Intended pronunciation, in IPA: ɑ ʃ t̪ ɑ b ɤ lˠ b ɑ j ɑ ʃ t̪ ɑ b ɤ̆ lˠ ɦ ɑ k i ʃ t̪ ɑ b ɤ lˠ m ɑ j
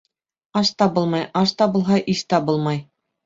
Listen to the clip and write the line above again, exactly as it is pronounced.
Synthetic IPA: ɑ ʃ t̪ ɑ b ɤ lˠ m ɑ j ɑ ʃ t̪ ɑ b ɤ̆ lˠ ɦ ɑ ʔ i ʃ t̪ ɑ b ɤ lˠ m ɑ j